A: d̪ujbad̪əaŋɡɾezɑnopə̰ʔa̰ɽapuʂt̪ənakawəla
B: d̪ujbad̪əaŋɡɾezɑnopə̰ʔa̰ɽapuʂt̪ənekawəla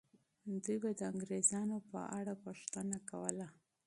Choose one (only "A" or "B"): A